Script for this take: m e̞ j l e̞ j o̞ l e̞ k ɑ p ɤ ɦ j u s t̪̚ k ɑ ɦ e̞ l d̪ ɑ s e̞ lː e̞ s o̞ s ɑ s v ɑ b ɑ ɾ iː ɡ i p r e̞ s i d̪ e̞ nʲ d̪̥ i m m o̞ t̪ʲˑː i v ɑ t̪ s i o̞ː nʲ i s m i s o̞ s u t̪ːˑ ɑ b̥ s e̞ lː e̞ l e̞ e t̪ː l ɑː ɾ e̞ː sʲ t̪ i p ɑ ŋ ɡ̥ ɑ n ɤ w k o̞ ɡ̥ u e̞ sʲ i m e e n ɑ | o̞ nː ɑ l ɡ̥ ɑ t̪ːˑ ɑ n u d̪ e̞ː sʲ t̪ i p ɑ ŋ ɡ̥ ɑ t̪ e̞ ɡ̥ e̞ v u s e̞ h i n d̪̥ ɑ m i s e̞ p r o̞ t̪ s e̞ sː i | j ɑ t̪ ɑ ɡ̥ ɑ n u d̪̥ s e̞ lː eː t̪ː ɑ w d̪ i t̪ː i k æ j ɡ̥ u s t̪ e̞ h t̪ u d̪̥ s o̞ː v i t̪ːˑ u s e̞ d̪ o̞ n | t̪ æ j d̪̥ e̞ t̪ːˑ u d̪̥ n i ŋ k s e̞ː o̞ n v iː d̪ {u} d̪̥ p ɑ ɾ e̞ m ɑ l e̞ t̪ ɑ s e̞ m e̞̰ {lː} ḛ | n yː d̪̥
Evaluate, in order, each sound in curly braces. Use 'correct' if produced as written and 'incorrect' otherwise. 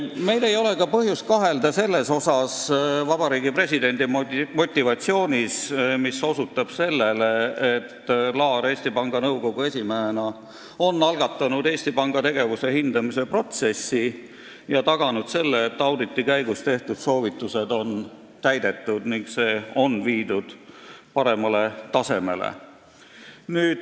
correct, incorrect: l

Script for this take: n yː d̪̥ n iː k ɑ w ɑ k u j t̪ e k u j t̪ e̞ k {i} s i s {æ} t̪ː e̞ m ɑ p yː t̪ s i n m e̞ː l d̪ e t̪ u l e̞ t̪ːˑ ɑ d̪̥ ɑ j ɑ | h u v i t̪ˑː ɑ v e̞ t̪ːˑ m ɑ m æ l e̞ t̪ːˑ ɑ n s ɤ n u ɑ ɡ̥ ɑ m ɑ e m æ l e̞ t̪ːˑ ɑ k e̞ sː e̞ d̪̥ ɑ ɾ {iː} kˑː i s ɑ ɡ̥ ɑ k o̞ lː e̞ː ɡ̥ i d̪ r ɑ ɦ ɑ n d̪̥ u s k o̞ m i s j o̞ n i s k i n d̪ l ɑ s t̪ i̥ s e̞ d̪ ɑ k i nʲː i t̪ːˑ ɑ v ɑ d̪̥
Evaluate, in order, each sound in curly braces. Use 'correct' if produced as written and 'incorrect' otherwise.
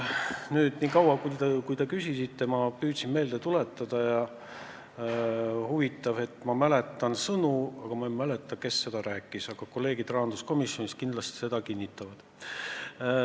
incorrect: y, incorrect: i, incorrect: æː

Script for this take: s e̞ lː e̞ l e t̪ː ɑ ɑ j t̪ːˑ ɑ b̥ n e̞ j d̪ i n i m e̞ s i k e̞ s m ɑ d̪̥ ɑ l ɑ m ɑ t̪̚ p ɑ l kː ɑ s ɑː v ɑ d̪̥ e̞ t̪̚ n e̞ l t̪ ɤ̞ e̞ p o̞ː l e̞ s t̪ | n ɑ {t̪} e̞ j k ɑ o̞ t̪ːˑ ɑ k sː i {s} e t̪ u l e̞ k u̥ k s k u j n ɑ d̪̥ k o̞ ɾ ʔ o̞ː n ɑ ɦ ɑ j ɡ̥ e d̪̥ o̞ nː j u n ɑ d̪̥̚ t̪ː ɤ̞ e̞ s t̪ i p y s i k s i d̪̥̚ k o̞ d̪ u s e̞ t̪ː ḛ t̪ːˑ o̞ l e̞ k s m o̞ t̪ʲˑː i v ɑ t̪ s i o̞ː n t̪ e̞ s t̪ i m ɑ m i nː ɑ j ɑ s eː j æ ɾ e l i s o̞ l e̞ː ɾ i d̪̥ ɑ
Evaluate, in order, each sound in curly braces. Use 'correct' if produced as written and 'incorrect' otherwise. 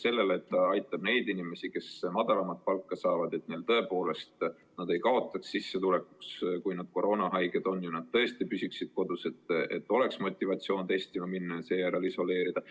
incorrect: d̪, incorrect: sː

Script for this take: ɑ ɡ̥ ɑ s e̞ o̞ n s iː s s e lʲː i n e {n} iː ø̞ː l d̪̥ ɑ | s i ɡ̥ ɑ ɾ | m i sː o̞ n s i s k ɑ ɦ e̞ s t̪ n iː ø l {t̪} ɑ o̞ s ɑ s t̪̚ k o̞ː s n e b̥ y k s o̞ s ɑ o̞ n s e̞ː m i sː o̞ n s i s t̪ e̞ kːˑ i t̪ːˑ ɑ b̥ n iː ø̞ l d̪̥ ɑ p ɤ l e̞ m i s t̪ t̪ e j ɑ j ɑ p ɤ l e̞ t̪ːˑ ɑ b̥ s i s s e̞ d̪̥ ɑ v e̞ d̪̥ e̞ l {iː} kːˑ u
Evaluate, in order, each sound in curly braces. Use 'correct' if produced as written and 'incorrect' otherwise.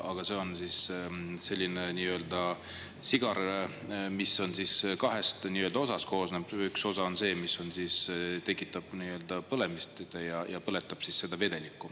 correct, incorrect: d̪, incorrect: i

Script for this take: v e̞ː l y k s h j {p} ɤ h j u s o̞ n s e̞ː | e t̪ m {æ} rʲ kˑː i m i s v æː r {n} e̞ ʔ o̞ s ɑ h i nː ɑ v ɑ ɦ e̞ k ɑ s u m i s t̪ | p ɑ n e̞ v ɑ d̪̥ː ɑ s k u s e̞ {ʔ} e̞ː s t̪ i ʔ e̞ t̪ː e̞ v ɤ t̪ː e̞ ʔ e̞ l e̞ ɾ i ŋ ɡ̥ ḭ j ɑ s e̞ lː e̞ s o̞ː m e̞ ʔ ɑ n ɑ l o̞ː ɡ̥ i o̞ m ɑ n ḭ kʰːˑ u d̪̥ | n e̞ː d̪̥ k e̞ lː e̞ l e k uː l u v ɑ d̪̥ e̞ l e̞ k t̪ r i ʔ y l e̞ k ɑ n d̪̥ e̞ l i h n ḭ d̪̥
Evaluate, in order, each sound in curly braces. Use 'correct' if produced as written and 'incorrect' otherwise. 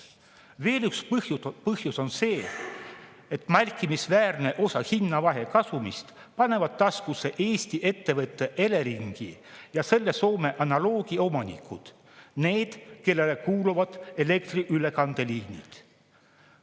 correct, correct, correct, correct

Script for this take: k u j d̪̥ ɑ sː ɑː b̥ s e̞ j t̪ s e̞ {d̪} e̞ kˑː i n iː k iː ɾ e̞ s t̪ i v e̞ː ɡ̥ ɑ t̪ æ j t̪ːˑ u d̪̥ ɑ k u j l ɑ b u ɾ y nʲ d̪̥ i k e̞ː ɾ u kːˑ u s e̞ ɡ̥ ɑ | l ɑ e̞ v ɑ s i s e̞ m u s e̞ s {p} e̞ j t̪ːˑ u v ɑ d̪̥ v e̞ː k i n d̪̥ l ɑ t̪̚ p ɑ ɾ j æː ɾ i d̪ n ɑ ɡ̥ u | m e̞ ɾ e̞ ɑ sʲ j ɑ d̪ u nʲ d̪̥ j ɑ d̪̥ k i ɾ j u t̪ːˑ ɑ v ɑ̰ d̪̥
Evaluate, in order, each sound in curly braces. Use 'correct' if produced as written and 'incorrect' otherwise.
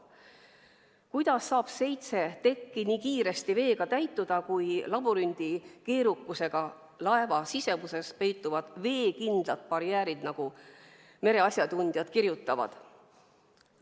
incorrect: t̪, correct

